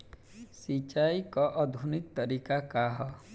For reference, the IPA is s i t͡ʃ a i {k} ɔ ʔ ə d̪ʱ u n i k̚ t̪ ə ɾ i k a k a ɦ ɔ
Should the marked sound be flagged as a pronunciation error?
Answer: no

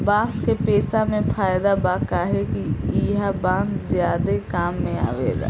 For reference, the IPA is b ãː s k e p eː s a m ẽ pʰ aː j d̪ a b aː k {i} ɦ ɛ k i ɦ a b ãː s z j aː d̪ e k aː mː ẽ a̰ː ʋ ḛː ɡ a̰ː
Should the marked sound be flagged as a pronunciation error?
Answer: yes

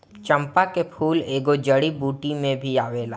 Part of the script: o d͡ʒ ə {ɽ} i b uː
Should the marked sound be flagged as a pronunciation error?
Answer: no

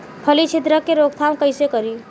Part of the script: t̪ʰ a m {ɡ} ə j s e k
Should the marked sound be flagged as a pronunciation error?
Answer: yes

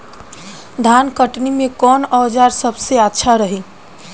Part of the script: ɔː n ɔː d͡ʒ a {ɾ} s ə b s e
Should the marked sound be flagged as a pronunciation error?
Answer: no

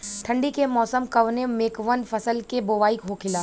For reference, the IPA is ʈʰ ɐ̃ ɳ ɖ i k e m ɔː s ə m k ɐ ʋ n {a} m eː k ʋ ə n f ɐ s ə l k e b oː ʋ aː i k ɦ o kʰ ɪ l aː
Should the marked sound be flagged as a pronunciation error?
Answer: yes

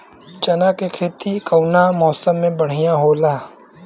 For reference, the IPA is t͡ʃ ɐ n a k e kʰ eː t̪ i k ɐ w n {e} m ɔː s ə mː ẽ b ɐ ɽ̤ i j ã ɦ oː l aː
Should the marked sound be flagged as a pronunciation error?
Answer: yes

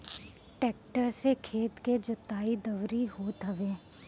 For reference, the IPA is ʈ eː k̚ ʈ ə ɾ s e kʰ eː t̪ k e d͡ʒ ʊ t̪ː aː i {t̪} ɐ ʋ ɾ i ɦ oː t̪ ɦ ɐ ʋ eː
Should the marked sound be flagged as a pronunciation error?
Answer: yes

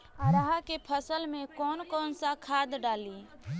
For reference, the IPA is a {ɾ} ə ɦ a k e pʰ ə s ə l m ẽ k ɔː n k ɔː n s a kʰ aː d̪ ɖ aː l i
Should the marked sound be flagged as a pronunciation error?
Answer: no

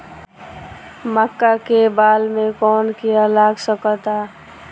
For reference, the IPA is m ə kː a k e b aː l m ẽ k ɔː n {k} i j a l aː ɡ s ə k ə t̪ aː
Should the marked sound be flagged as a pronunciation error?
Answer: no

